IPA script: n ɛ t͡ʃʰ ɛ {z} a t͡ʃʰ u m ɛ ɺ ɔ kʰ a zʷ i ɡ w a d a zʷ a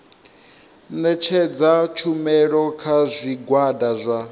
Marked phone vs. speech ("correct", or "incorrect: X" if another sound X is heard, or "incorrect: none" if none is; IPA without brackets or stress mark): incorrect: d͡z